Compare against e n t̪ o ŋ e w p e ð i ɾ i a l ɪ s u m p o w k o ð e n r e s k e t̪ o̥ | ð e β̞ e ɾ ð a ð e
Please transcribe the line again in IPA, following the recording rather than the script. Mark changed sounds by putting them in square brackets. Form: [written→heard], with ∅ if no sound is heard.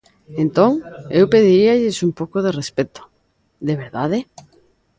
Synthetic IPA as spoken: e n t̪ o ŋ e w p e ð i ɾ i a [l→ʎ] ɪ s u m p o w k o ð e [n→∅] r e s [k→p] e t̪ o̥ | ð e β̞ e ɾ ð a ð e

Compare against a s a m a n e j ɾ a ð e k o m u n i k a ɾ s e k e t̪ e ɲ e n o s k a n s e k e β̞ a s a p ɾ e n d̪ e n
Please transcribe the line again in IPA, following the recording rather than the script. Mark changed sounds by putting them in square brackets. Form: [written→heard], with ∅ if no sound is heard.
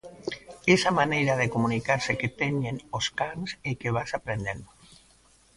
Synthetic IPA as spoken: [a→e] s a m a n e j ɾ a ð e k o m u n i k a ɾ s e k e t̪ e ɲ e n o s k a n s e k e β̞ a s a p ɾ e n d̪ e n

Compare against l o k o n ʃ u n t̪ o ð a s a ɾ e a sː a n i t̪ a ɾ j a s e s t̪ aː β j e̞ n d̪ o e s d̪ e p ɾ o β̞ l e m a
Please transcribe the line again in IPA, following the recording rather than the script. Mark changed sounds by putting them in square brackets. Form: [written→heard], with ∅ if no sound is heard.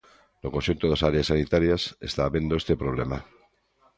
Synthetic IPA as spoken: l o k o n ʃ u n t̪ o ð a s a ɾ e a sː a n i t̪ a ɾ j a s e s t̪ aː β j e̞ n d̪ o e s [d̪→t̪] e p ɾ o β̞ l e m a

